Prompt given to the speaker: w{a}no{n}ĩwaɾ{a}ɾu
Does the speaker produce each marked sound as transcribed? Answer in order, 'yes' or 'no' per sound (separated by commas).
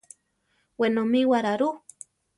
no, no, yes